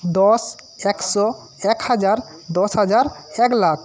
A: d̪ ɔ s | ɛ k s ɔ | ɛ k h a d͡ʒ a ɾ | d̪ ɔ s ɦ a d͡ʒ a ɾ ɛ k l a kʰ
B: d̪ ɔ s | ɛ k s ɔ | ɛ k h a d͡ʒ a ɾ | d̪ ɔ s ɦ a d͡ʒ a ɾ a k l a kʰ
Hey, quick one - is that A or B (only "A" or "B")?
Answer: A